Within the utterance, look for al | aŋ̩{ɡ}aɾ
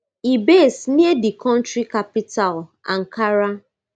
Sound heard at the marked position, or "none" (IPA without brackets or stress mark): k